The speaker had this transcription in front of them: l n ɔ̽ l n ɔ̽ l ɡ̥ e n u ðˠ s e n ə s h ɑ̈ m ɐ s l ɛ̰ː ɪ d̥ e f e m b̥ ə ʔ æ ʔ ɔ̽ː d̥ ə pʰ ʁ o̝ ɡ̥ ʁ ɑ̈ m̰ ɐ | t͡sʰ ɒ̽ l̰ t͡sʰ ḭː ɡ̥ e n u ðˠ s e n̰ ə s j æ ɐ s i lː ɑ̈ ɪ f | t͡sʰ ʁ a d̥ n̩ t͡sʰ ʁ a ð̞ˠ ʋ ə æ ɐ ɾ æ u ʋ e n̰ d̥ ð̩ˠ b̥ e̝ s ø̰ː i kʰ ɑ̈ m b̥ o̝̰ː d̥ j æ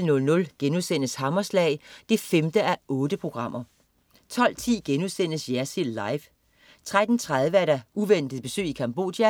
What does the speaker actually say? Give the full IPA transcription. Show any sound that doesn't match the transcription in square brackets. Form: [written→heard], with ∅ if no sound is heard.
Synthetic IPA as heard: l n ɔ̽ l n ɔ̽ l ɡ̥ e n u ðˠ s e n ə s h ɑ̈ m ɐ s l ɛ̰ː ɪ d̥ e f e m [b̥→d̥] ə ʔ æ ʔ ɔ̽ː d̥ ə pʰ ʁ o̝ ɡ̥ ʁ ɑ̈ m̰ ɐ | t͡sʰ ɒ̽ l̰ t͡sʰ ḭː ɡ̥ e n u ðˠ s e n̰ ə s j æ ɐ s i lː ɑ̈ ɪ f | t͡sʰ ʁ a d̥ n̩ t͡sʰ ʁ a ð̞ˠ ʋ ə æ ɐ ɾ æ u ʋ e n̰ d̥ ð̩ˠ b̥ e̝ s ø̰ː i kʰ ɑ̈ m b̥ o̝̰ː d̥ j æ

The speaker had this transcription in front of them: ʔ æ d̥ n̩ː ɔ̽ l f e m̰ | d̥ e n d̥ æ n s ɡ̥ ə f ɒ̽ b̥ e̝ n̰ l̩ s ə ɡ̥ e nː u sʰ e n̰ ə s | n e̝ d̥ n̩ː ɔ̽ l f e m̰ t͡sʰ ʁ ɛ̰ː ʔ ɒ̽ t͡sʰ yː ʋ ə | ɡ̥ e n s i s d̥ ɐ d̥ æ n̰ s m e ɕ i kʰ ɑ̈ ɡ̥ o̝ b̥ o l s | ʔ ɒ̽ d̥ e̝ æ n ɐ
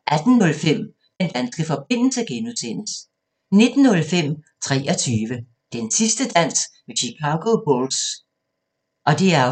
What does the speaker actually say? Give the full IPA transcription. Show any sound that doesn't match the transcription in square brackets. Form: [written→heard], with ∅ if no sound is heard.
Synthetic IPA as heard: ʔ æ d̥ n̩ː ɔ̽ l f e m̰ | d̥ e n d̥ æ n s ɡ̥ ə f ɒ̽ b̥ e̝ n̰ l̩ s ə ɡ̥ e [nː→n] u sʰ e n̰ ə s | n e̝ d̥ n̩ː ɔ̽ l f e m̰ t͡sʰ ʁ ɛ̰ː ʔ ɒ̽ t͡sʰ yː ʋ ə | [ɡ̥→d̥] e n s i s d̥ [ɐ→ə] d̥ æ n̰ s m e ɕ i kʰ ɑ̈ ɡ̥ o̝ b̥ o l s | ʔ ɒ̽ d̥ e̝ æ [n→∅] ɐ

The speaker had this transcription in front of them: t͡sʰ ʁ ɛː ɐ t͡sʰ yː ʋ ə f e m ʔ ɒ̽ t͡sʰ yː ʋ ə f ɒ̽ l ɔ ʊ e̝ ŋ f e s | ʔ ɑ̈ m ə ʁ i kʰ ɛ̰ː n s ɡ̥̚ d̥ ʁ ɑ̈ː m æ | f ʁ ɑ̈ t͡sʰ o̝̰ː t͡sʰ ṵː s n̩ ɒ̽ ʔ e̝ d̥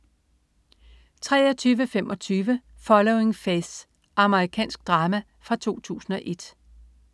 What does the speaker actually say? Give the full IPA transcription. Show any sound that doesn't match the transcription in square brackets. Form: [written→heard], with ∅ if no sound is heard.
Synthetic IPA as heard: t͡sʰ ʁ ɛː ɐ t͡sʰ yː ʋ ə f e m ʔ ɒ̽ t͡sʰ yː ʋ ə f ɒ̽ l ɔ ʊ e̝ ŋ f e s | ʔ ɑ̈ m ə ʁ i kʰ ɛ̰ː n s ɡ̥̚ d̥ ʁ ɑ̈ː m æ | f ʁ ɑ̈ t͡sʰ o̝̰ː t͡sʰ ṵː s n̩ ɒ̽ ʔ e̝ d̥

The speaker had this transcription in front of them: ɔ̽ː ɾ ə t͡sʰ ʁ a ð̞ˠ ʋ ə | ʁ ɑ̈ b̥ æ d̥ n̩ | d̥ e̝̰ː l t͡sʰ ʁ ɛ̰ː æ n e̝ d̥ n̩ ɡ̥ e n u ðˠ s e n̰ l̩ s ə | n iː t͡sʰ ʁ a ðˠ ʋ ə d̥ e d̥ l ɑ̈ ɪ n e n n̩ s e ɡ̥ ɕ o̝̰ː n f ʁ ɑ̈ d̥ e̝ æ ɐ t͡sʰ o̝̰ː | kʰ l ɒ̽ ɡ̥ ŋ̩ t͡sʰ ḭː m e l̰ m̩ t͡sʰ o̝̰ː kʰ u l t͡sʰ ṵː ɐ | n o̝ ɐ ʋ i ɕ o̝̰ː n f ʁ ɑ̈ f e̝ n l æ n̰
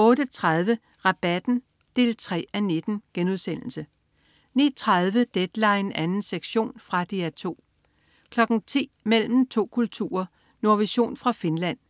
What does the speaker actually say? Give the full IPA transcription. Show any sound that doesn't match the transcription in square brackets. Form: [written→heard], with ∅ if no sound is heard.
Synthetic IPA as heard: ɔ̽ː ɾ ə t͡sʰ ʁ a ð̞ˠ ʋ ə | ʁ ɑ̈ b̥ æ d̥ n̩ | d̥ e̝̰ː l t͡sʰ ʁ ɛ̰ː æ n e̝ d̥ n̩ ɡ̥ e n u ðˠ s e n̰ l̩ s ə | n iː t͡sʰ ʁ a ðˠ ʋ ə d̥ e d̥ l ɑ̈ ɪ n [e→æ] n n̩ s e ɡ̥ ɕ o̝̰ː n f ʁ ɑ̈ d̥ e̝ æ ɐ t͡sʰ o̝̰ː | kʰ l ɒ̽ ɡ̥ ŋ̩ t͡sʰ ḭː m e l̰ m̩ t͡sʰ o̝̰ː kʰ u l t͡sʰ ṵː ɐ | n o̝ ɐ ʋ i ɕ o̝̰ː n f ʁ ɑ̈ f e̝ n l æ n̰

